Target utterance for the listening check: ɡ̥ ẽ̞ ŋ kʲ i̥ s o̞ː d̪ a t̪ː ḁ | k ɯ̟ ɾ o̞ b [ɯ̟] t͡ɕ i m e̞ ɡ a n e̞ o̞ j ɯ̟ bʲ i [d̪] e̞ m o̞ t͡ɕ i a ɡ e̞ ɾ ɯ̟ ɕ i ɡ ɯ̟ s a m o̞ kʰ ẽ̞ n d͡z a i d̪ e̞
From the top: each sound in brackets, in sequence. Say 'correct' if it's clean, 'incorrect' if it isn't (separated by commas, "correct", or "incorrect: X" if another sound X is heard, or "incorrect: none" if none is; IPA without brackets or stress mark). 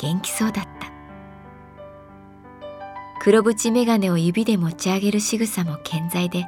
correct, correct